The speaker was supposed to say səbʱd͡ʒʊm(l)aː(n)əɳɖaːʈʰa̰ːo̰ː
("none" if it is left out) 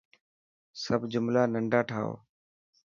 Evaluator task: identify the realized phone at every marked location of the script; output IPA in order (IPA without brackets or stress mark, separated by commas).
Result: l, n